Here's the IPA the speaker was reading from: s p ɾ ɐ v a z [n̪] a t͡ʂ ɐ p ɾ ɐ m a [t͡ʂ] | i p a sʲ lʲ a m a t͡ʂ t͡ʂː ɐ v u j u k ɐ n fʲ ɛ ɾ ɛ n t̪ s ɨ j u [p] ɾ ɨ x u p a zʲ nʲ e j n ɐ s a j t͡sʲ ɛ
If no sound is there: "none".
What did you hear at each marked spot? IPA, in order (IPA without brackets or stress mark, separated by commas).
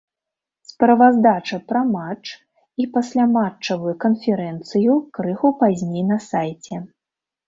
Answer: d̪, t͡ʂ, k